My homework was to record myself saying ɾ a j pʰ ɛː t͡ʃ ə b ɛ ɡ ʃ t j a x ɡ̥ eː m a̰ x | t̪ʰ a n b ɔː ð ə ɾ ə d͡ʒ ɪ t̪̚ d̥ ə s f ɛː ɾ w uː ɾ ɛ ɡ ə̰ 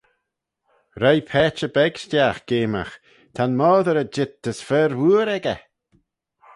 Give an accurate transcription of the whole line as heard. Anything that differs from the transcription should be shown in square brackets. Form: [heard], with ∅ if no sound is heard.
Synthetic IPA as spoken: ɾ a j pʰ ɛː t͡ʃ ə b ɛ ɡ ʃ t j a x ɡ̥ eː m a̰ x | t̪ʰ a n [m] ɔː ð ə ɾ ə d͡ʒ ɪ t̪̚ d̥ ə s f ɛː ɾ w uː ɾ ɛ ɡ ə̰